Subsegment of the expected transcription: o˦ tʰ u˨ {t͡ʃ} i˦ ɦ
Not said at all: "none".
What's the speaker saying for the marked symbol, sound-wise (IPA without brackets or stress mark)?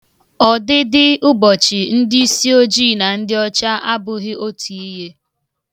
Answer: none